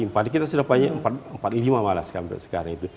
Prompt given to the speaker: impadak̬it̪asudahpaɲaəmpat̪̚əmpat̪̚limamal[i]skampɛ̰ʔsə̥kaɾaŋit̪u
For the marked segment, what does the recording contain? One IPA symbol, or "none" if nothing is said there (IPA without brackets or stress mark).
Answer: a